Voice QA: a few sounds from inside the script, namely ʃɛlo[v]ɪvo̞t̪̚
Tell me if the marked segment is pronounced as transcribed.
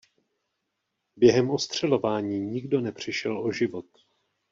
no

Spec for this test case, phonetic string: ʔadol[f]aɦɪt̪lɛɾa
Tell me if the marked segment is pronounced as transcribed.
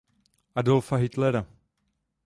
yes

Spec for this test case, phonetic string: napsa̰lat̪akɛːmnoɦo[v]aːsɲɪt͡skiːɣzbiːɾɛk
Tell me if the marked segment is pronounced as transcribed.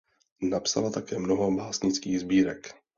no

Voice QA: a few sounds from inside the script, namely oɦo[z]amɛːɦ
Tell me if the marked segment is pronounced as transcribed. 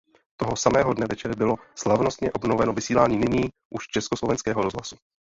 no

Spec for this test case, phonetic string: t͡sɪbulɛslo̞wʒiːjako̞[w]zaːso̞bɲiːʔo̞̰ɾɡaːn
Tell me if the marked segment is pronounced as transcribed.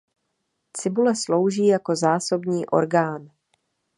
no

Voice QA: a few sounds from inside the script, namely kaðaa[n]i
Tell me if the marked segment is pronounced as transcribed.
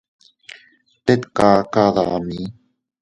no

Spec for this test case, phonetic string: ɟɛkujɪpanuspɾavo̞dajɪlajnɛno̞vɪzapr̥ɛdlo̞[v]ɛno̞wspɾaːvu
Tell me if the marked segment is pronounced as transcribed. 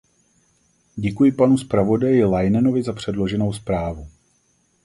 no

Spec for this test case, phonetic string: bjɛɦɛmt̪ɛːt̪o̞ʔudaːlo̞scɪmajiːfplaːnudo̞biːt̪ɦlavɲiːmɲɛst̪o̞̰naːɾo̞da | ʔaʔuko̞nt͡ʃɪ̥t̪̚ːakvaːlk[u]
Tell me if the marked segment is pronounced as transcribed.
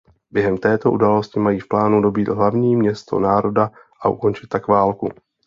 yes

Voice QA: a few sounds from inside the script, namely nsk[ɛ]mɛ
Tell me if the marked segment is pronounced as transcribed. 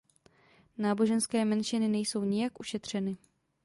no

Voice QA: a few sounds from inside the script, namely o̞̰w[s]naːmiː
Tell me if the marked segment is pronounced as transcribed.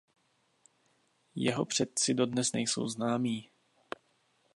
no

